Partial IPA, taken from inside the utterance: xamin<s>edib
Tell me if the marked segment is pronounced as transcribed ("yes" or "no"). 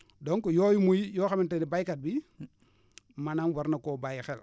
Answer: no